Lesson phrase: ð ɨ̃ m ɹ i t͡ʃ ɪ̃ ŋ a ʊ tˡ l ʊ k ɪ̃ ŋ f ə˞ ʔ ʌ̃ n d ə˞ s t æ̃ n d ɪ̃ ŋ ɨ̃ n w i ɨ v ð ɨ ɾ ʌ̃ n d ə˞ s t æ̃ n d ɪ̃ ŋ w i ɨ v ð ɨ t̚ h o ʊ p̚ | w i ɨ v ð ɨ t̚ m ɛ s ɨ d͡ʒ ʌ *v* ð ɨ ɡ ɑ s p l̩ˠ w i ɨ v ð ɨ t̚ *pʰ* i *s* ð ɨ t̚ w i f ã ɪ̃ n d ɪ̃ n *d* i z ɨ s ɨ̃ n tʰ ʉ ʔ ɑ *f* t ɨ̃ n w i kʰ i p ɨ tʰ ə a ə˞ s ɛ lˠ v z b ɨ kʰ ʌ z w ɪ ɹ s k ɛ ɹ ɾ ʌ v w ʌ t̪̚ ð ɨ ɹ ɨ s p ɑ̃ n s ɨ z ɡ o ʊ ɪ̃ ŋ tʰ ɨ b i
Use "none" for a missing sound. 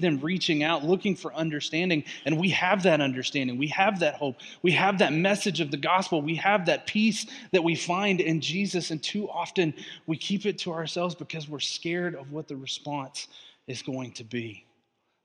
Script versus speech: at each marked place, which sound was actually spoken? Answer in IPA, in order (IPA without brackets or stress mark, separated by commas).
v, pʰ, s, d͡ʒ, f